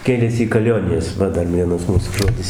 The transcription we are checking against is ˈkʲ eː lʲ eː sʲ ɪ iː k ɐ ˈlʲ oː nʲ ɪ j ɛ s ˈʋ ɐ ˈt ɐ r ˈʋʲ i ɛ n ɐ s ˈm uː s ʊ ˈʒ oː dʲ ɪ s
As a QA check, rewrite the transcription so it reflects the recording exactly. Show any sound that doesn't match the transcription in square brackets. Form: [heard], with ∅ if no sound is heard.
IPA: ˈkʲ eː lʲ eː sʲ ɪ iː k ɐ ˈlʲ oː nʲ ɪ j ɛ s ˈʋ ɐ [ˈd] ɐ r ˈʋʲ i ɛ n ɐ s ˈm uː s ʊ ˈʒ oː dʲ ɪ s